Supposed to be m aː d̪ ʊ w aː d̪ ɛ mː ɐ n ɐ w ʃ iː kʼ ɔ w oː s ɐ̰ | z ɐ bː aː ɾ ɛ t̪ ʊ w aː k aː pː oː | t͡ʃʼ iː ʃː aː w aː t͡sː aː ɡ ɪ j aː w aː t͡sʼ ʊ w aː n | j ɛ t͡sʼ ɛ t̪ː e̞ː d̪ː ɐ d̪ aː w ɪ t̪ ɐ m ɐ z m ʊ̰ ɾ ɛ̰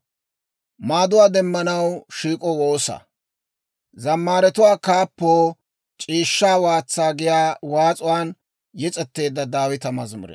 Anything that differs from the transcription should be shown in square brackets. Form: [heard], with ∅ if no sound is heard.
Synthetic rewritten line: m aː d̪ ʊ w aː d̪ ɛ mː ɐ n ɐ w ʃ iː kʼ ɔ w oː s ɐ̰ | z ɐ [mː] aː ɾ ɛ t̪ ʊ w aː k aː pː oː | t͡ʃʼ iː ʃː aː w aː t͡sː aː ɡ ɪ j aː w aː t͡sʼ ʊ w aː n | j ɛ t͡sʼ ɛ t̪ː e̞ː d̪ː ɐ d̪ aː w ɪ t̪ ɐ m ɐ z m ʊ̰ ɾ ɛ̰

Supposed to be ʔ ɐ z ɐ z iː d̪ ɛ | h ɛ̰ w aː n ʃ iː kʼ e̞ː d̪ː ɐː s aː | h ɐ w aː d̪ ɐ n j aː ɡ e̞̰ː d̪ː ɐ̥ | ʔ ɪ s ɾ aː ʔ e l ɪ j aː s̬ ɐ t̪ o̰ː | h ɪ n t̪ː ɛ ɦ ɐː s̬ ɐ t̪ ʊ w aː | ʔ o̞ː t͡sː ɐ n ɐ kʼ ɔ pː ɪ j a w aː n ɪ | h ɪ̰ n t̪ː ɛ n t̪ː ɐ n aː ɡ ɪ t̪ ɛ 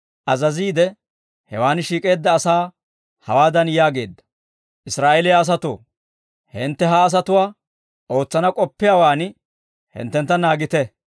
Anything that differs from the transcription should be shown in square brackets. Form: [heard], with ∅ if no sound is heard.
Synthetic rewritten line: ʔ ɐ z ɐ z iː d̪ ɛ | h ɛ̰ w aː n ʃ iː kʼ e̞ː d̪ː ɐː s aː | h ɐ w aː d̪ ɐ n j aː ɡ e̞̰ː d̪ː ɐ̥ | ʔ ɪ s ɾ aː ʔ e l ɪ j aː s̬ ɐ t̪ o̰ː | h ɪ n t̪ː ɛ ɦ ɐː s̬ ɐ t̪ ʊ w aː | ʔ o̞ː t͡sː ɐ n ɐ kʼ ɔ pː ɪ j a w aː n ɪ | h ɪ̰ n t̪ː ɛ n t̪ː ɐ n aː ɡ ɪ t̪ ɛ

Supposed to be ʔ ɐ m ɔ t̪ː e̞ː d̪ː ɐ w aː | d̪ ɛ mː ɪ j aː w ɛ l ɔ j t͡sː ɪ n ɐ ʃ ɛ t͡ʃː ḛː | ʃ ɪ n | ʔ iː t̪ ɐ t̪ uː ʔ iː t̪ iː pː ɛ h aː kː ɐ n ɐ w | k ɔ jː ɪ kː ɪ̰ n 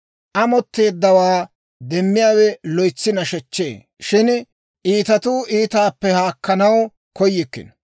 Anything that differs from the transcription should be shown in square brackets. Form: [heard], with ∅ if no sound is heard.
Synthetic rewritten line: ʔ ɐ m ɔ t̪ː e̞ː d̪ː ɐ w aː | d̪ ɛ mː ɪ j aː w ɛ l ɔ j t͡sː ɪ n ɐ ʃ ɛ t͡ʃː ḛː | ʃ ɪ n | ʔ iː t̪ ɐ t̪ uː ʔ iː t̪ [aː] pː ɛ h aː kː ɐ n ɐ w | k ɔ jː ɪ kː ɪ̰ n

